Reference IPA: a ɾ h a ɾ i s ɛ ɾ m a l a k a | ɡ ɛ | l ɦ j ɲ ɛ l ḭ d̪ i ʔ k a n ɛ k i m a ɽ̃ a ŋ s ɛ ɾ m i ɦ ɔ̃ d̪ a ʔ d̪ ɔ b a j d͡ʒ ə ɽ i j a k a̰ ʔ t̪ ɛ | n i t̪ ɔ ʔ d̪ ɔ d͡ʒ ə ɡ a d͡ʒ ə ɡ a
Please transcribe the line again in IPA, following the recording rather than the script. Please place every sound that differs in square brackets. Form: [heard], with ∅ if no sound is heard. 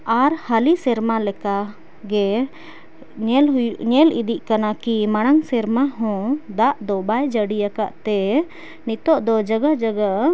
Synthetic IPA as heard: a ɾ h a [l] i s ɛ ɾ m a l [ɛ] k a | ɡ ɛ | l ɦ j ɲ ɛ l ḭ d̪ i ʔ k a n [a] k i m a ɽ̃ a ŋ s ɛ ɾ m [a] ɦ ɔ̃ d̪ a ʔ d̪ ɔ b a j d͡ʒ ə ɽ i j a k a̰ ʔ t̪ ɛ | n i t̪ ɔ ʔ d̪ ɔ d͡ʒ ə ɡ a d͡ʒ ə ɡ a